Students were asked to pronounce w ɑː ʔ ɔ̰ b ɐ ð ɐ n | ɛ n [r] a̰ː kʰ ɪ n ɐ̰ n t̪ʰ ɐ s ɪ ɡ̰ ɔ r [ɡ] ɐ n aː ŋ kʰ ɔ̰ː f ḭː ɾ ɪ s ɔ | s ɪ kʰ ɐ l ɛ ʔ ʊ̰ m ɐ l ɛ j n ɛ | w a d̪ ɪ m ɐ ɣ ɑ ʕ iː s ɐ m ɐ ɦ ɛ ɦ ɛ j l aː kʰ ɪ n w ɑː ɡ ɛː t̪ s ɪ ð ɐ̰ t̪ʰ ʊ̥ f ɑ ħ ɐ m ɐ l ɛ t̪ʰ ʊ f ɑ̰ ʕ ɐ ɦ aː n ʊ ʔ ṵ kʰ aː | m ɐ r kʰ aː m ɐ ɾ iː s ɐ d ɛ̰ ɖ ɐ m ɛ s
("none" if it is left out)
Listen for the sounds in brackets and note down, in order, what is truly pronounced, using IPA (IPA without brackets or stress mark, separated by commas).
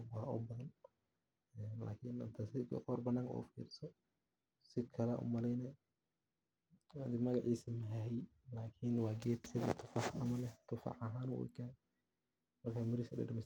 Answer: l, b